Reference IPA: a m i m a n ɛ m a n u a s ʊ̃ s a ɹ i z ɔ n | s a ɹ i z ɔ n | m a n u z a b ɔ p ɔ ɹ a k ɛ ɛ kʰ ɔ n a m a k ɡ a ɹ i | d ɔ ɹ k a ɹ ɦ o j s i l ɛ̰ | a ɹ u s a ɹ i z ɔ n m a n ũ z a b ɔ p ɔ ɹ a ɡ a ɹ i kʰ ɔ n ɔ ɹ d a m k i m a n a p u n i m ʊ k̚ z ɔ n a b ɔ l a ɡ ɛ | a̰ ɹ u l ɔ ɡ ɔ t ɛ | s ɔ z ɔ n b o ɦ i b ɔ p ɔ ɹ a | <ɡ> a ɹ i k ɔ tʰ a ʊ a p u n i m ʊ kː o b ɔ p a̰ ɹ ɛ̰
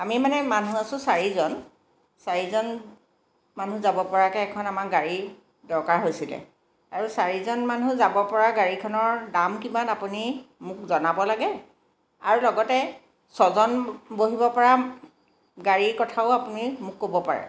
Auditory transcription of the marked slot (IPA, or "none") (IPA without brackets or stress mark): ɡ